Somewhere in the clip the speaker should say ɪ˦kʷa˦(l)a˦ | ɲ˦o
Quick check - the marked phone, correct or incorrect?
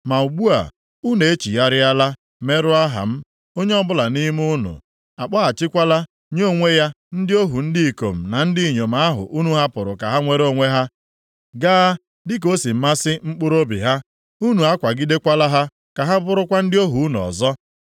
correct